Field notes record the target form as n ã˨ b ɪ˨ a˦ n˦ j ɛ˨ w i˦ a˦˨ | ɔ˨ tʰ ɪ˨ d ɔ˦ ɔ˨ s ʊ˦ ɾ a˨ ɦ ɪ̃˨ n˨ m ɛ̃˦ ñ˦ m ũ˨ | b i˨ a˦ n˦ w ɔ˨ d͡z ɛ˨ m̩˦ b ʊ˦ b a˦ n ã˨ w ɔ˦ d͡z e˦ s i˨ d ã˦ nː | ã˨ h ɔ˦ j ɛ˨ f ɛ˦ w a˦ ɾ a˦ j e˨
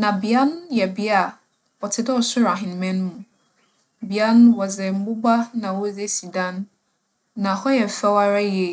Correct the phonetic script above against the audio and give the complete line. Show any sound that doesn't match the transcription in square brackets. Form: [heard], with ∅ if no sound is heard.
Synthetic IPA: n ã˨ b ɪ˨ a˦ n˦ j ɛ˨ [b] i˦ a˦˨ | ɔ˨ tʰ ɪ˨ d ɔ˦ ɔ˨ s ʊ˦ ɾ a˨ ɦ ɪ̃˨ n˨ m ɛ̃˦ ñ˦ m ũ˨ | b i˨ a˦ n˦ w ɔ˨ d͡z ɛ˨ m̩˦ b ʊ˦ b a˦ n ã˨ w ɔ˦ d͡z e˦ s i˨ d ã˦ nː | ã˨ h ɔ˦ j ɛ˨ f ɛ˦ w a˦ ɾ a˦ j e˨